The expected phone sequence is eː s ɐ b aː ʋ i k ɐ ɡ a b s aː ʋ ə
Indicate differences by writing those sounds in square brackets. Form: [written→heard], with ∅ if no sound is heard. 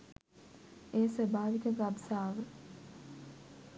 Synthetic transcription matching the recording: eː s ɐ b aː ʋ i k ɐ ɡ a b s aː ʋ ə